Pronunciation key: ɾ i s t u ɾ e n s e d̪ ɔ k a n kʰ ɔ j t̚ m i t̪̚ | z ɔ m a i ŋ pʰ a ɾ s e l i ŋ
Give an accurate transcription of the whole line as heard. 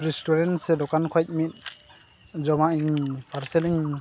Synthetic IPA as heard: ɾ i s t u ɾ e n s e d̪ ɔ k a n kʰ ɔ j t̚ m i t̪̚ | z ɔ m a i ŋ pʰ a ɾ s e l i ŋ